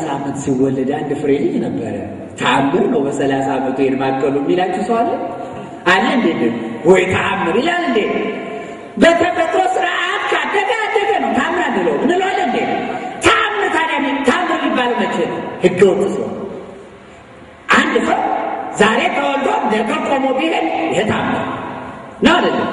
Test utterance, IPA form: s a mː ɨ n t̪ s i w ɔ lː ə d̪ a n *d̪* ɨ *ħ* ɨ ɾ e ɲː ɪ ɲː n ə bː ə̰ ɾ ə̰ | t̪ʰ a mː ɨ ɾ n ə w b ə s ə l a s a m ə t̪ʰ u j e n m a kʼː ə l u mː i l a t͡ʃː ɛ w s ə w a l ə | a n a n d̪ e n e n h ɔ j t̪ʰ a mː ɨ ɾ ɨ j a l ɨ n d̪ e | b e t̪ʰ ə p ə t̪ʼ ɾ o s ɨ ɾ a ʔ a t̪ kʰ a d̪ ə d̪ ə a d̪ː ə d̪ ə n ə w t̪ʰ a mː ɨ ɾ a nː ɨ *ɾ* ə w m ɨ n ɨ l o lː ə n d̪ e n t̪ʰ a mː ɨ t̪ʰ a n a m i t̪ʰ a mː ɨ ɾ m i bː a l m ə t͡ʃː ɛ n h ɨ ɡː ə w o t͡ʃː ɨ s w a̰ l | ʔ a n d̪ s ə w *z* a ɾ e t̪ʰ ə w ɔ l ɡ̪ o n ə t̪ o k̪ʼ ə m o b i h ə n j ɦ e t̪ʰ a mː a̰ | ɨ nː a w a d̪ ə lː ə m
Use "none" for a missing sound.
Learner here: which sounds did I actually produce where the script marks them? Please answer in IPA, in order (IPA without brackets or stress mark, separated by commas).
d̪, f, l, z